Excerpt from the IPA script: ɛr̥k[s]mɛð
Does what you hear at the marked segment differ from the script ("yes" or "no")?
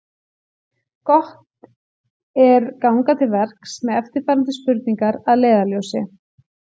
no